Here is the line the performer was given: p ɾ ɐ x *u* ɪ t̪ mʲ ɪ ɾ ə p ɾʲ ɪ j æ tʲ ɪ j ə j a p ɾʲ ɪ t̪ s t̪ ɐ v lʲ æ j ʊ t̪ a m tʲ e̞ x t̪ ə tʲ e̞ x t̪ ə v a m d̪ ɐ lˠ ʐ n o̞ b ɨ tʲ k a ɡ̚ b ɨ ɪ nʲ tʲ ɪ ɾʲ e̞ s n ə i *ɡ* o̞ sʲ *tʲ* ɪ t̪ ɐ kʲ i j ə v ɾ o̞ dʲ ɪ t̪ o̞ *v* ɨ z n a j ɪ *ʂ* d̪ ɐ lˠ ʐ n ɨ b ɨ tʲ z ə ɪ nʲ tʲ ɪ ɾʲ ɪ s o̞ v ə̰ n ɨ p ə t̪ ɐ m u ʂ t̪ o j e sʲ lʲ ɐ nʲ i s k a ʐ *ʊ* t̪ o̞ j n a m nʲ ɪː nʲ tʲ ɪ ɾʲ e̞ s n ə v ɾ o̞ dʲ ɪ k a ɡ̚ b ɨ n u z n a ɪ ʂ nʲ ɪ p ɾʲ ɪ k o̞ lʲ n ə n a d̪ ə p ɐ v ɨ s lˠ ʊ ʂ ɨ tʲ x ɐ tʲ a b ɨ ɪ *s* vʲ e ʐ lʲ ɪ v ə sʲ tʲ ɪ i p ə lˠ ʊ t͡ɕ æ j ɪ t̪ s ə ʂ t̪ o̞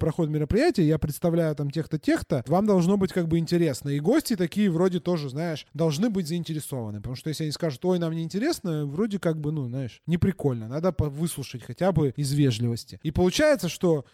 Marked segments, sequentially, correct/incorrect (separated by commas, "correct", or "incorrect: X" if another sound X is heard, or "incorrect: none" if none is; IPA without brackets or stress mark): incorrect: o, correct, correct, incorrect: ʐ, correct, correct, incorrect: z